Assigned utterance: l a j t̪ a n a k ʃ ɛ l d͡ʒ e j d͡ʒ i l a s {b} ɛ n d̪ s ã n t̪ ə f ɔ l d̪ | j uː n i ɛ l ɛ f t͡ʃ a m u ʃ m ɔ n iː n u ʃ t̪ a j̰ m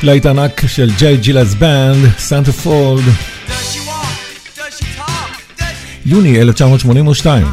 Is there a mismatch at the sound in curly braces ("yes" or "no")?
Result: no